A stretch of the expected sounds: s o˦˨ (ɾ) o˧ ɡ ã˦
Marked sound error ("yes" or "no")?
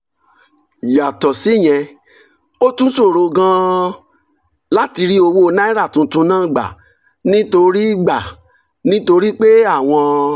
no